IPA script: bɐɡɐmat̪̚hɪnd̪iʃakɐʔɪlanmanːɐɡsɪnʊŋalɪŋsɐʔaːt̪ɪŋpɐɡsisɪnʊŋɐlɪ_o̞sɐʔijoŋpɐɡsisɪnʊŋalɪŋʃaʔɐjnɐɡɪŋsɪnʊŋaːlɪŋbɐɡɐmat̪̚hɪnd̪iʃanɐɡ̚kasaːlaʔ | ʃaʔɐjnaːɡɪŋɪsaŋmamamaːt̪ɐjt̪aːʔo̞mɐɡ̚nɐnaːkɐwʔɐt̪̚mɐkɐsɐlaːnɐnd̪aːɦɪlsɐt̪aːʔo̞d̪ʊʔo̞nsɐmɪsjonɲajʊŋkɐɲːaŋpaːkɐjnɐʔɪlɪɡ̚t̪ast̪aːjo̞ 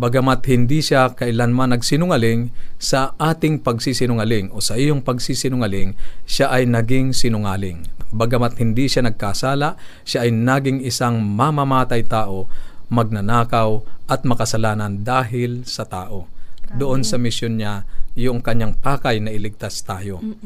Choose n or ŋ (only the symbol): ŋ